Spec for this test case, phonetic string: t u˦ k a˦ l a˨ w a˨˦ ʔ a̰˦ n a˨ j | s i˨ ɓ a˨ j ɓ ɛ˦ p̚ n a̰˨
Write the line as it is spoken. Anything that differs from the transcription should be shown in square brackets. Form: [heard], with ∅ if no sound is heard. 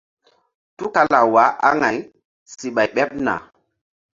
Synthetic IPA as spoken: t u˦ k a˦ l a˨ w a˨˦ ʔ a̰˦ [ŋ] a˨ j | s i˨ ɓ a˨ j ɓ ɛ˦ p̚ n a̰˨

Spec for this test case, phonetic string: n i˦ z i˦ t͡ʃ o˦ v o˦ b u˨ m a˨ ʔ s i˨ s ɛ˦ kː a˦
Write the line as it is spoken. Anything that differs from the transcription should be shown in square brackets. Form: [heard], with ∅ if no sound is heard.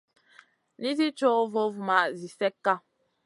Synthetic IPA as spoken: n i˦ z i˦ t͡ʃ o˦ v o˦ [v] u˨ m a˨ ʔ [z] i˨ s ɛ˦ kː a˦

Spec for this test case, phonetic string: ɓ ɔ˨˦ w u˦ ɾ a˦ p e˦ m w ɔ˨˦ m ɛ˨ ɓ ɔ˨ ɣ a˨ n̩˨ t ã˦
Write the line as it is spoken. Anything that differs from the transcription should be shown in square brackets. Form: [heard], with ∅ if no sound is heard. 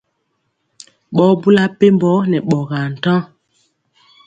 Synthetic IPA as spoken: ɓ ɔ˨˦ [b] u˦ [l] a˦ p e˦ m [b] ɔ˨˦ [n] ɛ˨ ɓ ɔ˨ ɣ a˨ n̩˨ t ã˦

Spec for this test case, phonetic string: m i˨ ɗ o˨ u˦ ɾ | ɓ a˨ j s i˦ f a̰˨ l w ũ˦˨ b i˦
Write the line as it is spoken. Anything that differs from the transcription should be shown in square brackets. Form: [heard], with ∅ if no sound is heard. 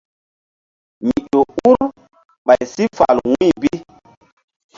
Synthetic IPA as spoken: m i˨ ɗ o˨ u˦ ɾ | ɓ a˨ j s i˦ f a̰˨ l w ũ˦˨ b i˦

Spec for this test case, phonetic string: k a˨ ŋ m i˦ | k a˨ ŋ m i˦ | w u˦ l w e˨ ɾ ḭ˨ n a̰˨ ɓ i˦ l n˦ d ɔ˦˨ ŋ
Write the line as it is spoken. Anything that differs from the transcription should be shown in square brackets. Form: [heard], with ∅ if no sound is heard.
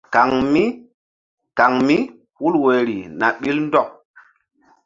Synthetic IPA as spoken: k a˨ ŋ m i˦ | k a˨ ŋ m i˦ | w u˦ l w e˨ ɾ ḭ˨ n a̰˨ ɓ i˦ l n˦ d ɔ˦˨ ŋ

